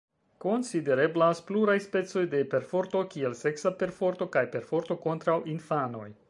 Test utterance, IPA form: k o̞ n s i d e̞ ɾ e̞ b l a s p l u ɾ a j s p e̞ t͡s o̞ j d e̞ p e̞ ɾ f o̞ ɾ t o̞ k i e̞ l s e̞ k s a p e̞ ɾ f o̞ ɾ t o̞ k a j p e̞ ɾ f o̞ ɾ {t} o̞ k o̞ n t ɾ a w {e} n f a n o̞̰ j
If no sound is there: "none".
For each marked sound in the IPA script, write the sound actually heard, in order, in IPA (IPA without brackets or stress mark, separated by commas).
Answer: t, i